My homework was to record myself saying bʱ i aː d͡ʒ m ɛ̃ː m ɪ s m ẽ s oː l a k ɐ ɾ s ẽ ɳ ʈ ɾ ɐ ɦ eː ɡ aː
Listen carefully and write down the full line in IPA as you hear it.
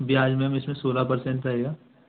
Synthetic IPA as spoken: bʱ i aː d͡ʒ m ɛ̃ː m ɪ s m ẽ s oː l a p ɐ ɾ s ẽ ɳ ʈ ɾ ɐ ɦ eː ɡ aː